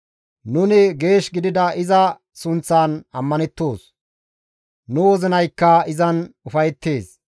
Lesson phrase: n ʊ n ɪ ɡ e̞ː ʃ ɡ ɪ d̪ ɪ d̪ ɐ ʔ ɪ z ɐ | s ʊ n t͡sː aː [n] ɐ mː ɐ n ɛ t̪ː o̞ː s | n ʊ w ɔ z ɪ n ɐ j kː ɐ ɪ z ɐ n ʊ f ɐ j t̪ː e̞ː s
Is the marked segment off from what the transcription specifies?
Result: no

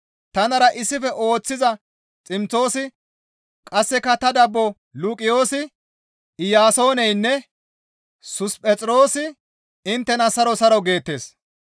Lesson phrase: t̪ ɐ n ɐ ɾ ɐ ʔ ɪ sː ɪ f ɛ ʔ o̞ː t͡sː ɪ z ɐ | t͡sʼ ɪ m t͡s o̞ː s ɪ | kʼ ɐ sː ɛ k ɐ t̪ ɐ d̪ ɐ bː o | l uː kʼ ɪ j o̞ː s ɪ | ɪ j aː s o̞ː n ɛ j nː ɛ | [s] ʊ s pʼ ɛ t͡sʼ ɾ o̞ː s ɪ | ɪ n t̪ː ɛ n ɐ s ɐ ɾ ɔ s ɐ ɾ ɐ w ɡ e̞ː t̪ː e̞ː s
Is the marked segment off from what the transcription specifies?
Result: no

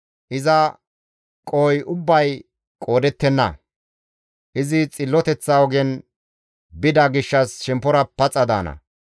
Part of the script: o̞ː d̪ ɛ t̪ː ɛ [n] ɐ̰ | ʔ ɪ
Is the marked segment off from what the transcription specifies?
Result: yes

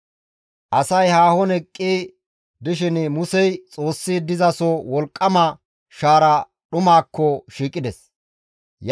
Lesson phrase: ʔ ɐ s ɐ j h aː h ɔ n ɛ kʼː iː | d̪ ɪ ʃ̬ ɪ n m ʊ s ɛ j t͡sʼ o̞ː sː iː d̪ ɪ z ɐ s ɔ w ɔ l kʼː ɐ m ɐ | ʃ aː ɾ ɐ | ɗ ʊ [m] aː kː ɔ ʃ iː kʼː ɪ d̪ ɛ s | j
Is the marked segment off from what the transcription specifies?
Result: no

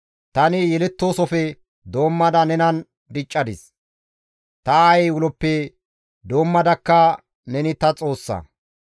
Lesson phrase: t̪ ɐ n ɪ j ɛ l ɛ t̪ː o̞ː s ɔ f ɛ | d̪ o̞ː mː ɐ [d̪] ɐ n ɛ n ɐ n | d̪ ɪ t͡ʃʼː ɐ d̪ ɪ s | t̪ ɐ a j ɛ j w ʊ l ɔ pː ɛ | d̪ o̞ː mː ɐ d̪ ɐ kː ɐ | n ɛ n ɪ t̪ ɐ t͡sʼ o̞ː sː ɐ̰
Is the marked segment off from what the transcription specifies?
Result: no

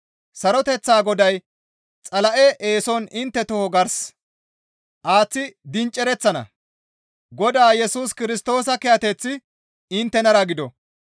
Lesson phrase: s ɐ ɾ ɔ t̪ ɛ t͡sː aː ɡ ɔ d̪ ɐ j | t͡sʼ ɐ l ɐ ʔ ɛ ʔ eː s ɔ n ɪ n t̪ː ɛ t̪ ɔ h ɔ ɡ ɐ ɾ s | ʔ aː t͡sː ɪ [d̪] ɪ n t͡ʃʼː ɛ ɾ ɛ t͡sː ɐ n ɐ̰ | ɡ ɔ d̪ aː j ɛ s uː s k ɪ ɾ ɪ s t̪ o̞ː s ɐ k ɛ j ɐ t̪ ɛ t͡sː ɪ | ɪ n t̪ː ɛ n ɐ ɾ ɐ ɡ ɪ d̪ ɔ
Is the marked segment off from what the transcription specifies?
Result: no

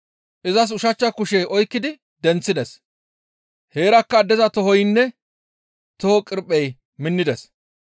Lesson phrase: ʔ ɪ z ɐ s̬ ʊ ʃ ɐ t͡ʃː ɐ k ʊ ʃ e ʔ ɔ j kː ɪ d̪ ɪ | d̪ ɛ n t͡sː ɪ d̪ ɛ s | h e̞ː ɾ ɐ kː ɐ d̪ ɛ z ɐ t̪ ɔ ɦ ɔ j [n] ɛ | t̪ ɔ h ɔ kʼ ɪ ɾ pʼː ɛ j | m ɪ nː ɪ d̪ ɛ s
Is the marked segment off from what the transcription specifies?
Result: yes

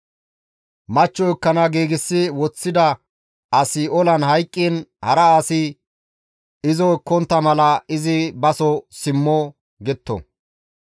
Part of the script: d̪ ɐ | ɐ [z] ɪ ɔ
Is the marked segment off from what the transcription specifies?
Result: yes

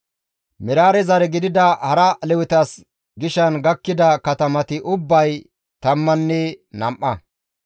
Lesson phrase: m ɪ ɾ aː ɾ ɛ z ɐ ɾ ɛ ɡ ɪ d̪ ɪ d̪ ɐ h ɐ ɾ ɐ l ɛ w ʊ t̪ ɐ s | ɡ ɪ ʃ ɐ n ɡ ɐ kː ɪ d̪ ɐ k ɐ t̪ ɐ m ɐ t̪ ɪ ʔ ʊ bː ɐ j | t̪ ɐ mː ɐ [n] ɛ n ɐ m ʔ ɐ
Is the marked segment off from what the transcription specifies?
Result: yes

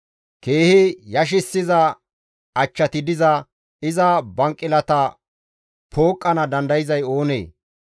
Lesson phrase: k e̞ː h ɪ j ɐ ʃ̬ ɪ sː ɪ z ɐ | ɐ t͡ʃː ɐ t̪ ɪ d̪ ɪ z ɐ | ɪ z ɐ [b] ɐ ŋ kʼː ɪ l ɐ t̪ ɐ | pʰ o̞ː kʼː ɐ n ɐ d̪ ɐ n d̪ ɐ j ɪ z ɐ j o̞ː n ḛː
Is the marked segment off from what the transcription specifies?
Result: no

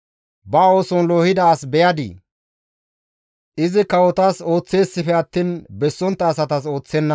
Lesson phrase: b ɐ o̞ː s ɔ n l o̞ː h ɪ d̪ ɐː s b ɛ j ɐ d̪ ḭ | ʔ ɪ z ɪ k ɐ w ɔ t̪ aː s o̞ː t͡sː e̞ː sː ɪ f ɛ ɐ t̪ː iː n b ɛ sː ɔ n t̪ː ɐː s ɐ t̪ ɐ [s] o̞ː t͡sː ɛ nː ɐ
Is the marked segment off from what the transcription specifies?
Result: no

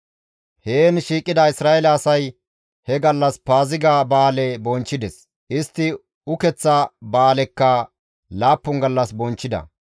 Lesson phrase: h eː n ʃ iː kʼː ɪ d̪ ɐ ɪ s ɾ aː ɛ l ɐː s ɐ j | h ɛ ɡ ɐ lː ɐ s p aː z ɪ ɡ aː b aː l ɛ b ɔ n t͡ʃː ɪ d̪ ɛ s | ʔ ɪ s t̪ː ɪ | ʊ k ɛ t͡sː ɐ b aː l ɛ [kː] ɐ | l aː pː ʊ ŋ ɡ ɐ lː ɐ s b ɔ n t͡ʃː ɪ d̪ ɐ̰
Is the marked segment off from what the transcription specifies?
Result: no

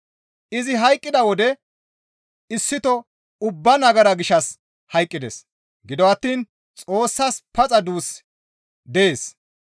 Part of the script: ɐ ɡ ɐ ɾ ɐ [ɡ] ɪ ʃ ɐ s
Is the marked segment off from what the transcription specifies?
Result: no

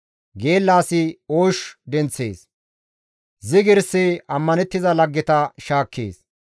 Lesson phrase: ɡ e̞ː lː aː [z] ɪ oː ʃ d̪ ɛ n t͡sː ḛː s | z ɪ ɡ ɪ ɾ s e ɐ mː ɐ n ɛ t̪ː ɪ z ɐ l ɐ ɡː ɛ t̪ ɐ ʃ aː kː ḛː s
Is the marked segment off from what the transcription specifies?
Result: yes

